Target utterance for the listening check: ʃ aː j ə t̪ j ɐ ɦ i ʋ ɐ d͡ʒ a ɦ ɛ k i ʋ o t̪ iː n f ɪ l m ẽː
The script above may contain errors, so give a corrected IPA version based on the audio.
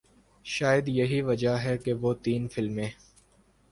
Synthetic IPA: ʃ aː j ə d̪ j ɐ ɦ i ʋ ɐ d͡ʒ a ɦ ɛ k e ʋ o t̪ iː n f ɪ l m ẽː